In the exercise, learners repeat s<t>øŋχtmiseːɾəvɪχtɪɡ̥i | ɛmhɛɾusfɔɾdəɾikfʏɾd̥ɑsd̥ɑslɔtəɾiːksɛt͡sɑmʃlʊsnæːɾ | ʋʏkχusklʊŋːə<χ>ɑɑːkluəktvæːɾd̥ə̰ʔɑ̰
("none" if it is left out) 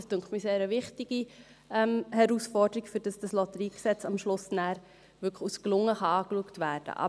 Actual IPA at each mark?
t, χ

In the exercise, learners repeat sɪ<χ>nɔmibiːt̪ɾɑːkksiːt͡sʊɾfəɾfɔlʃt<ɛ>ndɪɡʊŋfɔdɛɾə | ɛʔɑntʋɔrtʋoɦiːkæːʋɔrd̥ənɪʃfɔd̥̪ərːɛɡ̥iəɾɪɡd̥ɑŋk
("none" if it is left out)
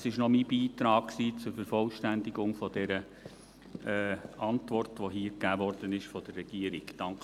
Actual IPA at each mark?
ʃ, æ

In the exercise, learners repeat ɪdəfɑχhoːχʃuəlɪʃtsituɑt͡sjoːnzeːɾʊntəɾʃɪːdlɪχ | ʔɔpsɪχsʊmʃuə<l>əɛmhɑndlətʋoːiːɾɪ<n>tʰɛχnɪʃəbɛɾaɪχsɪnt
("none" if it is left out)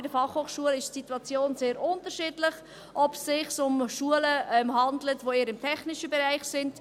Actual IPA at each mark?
l, m

